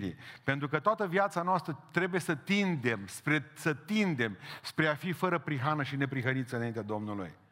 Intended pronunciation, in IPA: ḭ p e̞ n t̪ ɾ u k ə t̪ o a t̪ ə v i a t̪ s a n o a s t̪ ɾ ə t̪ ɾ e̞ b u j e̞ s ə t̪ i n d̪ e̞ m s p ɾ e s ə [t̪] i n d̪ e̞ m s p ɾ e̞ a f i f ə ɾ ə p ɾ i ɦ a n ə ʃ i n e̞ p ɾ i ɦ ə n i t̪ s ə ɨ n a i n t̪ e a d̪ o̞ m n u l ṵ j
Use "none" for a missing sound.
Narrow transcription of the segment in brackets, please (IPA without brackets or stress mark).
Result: t̪